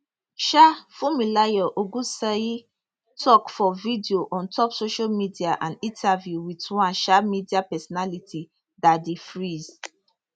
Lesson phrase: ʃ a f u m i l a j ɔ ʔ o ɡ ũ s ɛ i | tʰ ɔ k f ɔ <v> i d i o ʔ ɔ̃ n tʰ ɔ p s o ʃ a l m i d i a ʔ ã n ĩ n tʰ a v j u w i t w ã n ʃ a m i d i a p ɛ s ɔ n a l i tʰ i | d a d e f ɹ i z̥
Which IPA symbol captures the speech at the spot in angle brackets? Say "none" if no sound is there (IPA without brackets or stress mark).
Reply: v